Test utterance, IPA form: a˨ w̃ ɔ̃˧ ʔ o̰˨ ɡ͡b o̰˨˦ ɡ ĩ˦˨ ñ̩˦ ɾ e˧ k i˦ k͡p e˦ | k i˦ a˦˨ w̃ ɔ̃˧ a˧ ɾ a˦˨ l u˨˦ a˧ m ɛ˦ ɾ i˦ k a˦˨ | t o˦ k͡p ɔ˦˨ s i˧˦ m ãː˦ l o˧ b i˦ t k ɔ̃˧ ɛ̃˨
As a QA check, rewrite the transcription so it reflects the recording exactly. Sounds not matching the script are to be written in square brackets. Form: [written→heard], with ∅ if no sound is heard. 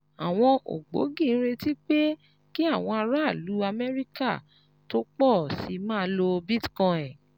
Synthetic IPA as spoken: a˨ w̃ ɔ̃˧ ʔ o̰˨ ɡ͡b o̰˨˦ ɡ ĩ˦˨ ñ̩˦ ɾ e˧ [k→t] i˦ k͡p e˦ | k i˦ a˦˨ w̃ ɔ̃˧ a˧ ɾ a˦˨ l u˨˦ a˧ m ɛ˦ ɾ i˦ k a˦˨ | t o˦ k͡p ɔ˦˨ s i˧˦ m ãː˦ l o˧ b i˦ t k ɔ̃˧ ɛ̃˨